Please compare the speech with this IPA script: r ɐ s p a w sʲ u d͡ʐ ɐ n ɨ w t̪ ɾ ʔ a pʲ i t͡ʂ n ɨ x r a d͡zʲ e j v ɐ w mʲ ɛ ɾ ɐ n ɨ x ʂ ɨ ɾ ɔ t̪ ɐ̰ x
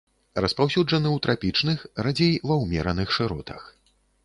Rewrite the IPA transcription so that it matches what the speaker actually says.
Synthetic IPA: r ɐ s p a w sʲ u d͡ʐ ɐ n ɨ w t̪ ɾ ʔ a pʲ i t͡ʂ n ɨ x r a d͡zʲ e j v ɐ w mʲ ɛ ɾ ɐ n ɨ x ʂ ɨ ɾ ɔ t̪ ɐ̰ x